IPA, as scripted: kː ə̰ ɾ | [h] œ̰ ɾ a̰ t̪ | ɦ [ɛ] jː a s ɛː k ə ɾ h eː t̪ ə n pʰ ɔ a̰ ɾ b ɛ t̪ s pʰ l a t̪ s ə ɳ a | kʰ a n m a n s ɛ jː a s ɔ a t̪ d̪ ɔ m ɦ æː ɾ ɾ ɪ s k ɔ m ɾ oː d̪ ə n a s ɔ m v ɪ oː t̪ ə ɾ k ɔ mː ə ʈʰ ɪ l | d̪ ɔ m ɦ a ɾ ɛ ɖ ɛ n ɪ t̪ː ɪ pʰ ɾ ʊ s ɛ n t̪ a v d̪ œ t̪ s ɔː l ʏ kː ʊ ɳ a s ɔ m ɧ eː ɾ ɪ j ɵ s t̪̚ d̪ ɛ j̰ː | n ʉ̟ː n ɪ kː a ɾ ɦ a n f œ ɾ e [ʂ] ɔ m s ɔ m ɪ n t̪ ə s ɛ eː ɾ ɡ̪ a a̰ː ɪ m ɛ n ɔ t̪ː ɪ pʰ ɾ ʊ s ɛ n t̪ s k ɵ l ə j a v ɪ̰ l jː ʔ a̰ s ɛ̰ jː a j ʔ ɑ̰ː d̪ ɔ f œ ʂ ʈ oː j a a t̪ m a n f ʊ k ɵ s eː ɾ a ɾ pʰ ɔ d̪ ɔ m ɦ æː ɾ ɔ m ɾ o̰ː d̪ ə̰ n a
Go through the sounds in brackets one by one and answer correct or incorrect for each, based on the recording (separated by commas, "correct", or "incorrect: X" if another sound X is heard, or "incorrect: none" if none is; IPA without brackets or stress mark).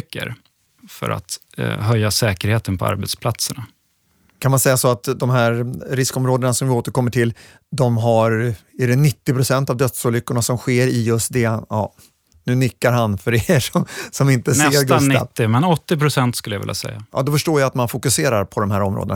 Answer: incorrect: f, incorrect: œ, correct